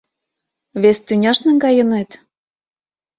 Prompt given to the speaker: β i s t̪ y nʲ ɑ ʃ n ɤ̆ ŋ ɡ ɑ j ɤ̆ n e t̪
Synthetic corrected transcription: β e s t̪ y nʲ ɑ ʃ n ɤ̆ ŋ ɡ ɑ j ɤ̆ n e t̪